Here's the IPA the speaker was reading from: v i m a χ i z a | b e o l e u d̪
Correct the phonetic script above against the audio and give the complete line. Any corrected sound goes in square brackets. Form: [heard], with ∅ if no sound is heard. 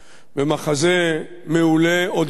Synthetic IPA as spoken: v [e] m a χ [a] z [e] | [m] e [u] l e [o] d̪